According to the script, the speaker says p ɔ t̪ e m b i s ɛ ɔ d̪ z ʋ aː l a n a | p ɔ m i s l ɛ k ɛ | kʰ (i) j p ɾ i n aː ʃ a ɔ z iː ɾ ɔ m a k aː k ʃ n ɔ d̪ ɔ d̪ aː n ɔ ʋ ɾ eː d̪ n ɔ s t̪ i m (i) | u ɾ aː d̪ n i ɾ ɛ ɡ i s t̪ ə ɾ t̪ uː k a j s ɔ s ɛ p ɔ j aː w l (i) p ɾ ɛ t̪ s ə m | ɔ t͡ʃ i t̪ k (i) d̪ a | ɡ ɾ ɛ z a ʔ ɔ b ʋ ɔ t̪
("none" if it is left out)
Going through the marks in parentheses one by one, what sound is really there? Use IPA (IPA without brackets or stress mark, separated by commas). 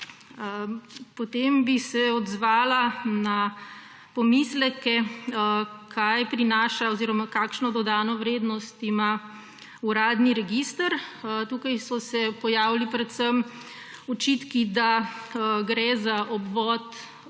a, a, i, i